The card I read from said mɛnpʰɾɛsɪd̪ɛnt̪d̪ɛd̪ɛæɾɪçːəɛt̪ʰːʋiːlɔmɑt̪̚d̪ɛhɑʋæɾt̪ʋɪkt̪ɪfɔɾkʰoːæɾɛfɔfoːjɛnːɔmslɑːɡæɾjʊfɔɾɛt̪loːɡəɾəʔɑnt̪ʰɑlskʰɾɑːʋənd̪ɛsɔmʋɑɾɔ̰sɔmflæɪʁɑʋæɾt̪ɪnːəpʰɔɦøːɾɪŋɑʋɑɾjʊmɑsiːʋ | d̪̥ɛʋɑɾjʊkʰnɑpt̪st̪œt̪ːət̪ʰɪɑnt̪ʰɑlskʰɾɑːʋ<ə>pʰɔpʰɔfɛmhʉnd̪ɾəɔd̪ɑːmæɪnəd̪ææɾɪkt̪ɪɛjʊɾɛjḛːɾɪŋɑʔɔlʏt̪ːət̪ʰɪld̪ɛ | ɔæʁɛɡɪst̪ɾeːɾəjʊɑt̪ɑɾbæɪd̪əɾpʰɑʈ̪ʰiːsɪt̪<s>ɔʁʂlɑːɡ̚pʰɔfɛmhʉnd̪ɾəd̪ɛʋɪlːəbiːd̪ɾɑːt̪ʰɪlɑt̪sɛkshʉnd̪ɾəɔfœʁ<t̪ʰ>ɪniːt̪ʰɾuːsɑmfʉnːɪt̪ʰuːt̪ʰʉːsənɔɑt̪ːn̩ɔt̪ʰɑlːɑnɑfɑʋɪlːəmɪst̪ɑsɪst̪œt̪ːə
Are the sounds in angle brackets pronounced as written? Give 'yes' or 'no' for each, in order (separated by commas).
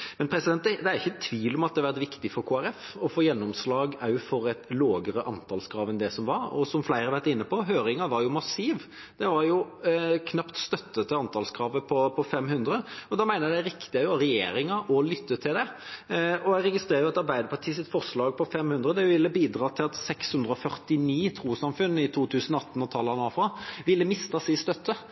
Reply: yes, no, no